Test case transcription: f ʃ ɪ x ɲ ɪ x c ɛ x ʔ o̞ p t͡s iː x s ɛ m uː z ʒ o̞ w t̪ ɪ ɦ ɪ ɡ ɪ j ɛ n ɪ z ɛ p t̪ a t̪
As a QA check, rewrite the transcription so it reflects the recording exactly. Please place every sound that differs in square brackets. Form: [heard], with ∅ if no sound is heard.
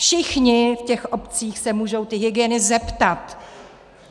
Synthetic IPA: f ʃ ɪ x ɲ ɪ [f] c ɛ x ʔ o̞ p t͡s iː x s ɛ m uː [∅] ʒ o̞ w t̪ ɪ ɦ ɪ ɡ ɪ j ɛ n ɪ z ɛ p t̪ a t̪